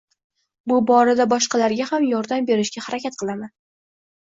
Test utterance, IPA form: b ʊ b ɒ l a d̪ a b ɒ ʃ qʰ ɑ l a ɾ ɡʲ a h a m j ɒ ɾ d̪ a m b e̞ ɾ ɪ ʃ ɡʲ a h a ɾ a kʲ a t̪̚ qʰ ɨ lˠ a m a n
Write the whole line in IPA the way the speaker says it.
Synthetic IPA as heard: b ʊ b ɒ ɾ a d̪ a b ɒ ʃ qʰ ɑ l a ɾ ɡʲ a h a m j ɒ ɾ d̪ a m b e̞ ɾ ɪ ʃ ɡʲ a h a ɾ a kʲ a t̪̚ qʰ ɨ lˠ a m a n